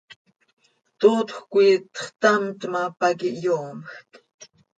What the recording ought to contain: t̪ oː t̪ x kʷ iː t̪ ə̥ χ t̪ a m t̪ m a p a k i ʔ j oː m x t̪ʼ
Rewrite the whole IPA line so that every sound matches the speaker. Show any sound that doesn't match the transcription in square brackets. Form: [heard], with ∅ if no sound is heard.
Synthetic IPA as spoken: t̪ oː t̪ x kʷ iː t̪ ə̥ χ t̪ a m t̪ m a p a k i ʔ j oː m x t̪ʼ